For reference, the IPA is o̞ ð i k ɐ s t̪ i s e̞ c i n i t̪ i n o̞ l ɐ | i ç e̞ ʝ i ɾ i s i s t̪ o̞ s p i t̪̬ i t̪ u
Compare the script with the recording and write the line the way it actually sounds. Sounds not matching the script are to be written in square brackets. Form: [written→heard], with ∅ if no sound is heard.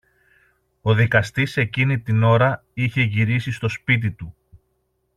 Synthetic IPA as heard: o̞ ð i k ɐ s t̪ i s e̞ c i n i t̪ i n o̞ [l→ɾ] ɐ | i ç e̞ ʝ i ɾ i s i s t̪ o̞ s p i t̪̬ i t̪ u